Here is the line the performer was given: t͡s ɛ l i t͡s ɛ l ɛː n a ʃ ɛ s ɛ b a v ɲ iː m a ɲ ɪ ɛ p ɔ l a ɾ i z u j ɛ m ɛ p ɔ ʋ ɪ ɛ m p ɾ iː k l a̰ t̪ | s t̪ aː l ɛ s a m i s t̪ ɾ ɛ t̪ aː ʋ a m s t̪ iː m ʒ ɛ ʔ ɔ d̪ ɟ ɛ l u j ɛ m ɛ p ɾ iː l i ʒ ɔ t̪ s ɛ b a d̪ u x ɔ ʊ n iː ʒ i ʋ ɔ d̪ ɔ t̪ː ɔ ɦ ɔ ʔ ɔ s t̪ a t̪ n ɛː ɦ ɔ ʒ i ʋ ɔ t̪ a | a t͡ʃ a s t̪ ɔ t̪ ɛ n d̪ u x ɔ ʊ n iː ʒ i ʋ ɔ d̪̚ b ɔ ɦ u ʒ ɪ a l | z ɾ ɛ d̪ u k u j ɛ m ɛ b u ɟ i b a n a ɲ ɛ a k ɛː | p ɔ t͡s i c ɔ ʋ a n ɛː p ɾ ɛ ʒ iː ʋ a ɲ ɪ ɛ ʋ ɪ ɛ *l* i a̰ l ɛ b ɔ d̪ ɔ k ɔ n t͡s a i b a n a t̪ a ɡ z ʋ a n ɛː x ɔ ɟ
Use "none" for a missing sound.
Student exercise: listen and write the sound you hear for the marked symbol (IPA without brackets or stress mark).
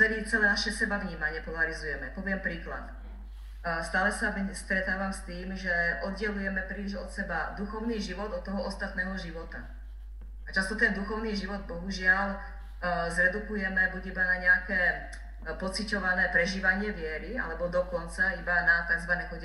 ɾ